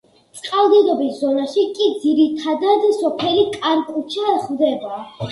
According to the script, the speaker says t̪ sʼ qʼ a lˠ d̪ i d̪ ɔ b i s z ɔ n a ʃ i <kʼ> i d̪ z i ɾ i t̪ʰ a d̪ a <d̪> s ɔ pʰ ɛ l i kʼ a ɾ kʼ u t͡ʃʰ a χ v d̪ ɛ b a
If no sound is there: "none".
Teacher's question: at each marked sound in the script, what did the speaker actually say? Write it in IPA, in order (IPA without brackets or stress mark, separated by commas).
kʼ, d̪